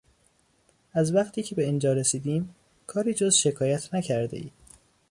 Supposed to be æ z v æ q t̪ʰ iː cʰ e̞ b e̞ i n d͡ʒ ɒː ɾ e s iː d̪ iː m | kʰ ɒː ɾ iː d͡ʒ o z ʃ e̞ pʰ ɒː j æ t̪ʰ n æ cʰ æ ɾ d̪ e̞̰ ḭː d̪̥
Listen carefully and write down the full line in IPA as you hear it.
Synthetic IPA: æ z v æ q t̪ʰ iː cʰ e̞ b e̞ i n d͡ʒ ɒː ɾ e s iː d̪ iː m | kʰ ɒː ɾ iː d͡ʒ o z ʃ e̞ kʰ ɒː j æ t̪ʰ n æ cʰ æ ɾ d̪ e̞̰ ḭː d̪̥